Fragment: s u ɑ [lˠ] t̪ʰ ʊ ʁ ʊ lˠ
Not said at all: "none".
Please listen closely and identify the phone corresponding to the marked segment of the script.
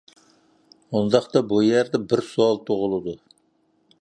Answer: lˠ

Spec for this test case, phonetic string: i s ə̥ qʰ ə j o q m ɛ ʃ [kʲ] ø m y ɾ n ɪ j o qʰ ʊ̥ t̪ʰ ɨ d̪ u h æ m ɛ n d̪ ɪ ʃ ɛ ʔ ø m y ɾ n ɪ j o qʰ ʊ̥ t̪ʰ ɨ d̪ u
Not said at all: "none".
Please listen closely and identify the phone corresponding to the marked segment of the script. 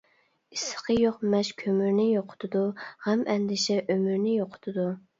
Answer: kʲʰ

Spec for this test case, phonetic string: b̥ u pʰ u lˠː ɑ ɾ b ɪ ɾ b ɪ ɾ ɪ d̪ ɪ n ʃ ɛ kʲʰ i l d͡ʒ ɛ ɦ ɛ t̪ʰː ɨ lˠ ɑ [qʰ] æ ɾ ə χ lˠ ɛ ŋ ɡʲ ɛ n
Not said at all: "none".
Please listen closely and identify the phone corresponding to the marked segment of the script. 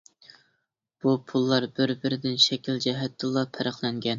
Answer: pʰ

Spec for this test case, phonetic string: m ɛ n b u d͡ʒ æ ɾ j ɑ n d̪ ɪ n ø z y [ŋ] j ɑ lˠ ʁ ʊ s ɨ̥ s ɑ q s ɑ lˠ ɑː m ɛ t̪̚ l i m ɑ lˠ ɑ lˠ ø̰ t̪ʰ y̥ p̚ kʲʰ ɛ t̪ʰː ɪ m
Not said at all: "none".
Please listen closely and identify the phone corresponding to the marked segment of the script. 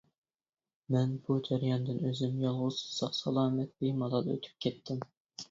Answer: m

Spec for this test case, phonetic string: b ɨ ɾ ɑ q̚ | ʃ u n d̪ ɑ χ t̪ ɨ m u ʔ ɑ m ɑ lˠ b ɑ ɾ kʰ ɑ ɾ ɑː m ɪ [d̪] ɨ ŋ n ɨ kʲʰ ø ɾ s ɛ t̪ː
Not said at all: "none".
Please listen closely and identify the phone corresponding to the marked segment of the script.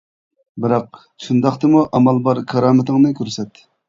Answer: t̪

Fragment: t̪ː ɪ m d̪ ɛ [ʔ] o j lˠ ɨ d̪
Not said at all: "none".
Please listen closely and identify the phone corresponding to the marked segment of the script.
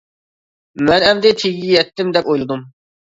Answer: p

